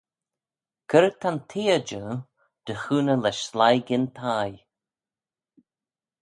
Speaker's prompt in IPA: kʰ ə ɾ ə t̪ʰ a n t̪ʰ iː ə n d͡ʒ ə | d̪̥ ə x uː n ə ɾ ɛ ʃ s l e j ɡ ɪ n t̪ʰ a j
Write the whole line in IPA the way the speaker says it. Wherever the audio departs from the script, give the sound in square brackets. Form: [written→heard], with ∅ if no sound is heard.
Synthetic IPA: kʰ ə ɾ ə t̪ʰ a n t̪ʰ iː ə [n→∅] d͡ʒ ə | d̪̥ ə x uː n ə [ɾ→l] ɛ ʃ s l [e→a] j ɡ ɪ n t̪ʰ a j